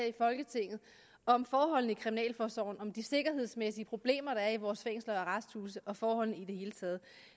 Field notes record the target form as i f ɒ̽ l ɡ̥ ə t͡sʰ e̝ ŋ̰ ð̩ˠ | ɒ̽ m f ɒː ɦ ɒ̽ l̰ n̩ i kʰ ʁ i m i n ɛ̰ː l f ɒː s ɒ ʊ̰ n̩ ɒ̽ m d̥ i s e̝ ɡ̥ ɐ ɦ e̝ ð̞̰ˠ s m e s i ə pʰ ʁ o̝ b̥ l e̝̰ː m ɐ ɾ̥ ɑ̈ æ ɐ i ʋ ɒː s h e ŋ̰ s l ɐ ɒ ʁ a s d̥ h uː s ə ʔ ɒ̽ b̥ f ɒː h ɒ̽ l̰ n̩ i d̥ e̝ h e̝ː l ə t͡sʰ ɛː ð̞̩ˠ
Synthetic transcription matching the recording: i f ɒ̽ l ɡ̥ ə t͡sʰ e̝ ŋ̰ ð̩ˠ | ɒ̽ m f ɒː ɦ ɒ̽ l̰ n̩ i kʰ ʁ i m i n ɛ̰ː l f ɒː s ɒ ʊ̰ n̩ ɒ̽ m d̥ i s e̝ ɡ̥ ɐ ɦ e̝ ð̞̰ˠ s m e s i ə pʰ ʁ o̝ b̥ l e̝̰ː m ɐ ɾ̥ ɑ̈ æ ɐ i ʋ ɒː s f e ŋ̰ s l ɐ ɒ ʁ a s d̥ h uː s ə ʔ ɒ̽ f ɒː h ɒ̽ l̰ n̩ i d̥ e̝ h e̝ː l ə t͡sʰ ɛː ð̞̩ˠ